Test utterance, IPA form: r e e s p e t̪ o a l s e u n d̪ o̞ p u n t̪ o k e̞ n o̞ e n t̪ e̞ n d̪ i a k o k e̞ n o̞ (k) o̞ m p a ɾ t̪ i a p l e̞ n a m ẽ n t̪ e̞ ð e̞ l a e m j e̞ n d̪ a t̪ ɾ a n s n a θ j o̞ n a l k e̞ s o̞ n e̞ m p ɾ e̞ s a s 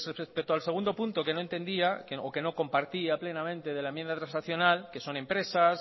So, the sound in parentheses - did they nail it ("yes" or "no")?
yes